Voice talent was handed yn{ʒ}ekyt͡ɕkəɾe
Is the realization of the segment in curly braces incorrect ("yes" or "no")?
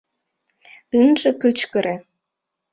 no